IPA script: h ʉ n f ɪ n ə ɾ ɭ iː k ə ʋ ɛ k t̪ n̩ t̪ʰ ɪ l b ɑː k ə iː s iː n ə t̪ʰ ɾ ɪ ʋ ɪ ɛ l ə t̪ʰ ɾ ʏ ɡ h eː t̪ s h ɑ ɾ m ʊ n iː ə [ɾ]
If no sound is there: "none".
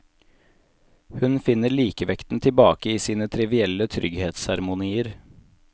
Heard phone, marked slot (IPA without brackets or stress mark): ɾ